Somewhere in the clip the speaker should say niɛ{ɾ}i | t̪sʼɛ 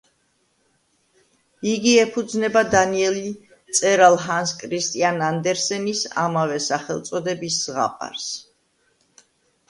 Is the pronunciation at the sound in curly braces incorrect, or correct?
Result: incorrect